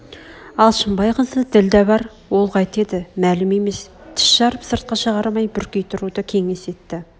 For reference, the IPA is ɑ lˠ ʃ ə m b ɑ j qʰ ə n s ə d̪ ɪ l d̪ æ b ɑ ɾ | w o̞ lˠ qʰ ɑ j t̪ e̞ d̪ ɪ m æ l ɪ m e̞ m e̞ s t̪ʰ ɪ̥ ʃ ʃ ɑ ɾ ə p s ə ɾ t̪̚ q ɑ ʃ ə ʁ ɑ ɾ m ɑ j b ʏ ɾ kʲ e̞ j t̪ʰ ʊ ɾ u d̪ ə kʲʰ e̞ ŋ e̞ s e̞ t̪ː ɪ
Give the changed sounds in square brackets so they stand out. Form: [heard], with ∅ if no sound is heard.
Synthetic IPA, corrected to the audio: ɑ lˠ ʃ ə m b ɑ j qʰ ə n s ə d̪ ɪ l d̪ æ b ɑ ɾ | w o̞ lˠ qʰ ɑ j t̪ e̞ d̪ ɪ m æ l ɪ m e̞ m e̞ s t̪ʰ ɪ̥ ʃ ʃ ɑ ɾ ə p s ə ɾ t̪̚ q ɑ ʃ ə ʁ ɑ ɾ m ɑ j b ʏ ɾ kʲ e̞ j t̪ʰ ʊ ɾ u d̪ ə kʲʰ e̞ ŋ e̞ s e̞ t̪ː ɪ

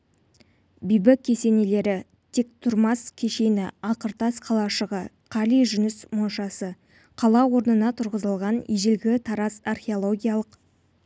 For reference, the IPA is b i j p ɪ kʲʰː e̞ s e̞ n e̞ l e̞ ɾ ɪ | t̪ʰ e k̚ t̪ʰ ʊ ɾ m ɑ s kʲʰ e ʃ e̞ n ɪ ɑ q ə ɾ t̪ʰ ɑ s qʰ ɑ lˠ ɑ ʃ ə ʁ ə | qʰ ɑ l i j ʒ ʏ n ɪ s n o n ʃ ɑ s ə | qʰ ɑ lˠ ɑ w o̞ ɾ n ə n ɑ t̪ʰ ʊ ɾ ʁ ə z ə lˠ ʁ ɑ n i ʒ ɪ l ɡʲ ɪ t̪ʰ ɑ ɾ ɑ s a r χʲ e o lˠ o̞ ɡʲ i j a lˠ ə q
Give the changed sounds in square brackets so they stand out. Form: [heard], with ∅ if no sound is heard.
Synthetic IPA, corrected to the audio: b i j [b] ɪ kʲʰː e̞ s e̞ n e̞ l e̞ ɾ ɪ | t̪ʰ e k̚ t̪ʰ ʊ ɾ m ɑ s kʲʰ e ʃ e̞ n ɪ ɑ q ə ɾ [t̪] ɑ s qʰ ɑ lˠ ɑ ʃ ə ʁ ə | qʰ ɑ l i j ʒ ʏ n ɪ s [m] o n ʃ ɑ s ə | qʰ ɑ lˠ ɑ w o̞ ɾ n ə n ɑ t̪ʰ ʊ ɾ ʁ ə z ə lˠ ʁ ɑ n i ʒ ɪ l ɡʲ ɪ t̪ʰ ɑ ɾ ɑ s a r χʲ e o lˠ o̞ ɡʲ i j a lˠ ə q

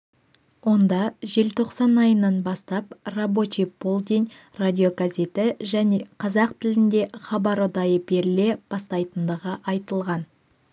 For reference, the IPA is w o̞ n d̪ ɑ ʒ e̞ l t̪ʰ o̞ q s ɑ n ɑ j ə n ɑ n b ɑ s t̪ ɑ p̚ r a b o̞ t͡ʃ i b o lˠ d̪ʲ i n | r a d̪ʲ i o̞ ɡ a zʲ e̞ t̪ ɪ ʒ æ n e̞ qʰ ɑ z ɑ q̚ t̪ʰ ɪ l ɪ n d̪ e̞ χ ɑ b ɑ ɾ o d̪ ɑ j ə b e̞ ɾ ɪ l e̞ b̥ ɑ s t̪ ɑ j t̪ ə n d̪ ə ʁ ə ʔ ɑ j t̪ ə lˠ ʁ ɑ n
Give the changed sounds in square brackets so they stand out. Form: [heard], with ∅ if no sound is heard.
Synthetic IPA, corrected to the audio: w o̞ n d̪ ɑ ʒ e̞ l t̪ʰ o̞ q s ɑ n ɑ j ə n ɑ n b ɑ s t̪ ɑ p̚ r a b o̞ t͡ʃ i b o lˠ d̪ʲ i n | r a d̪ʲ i o̞ ɡ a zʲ e̞ t̪ ɪ ʒ æ n e̞ qʰ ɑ z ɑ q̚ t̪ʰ ɪ l ɪ n d̪ e̞ χ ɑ b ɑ ɾ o d̪ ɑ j ə b e̞ ɾ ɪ l e̞ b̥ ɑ s t̪ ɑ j t̪ ə n d̪ ə ʁ ə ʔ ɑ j t̪ ə lˠ ʁ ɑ n

